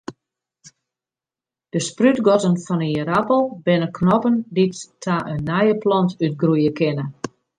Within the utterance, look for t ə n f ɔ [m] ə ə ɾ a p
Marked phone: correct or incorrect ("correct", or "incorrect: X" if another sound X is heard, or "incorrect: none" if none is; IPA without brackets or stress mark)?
incorrect: n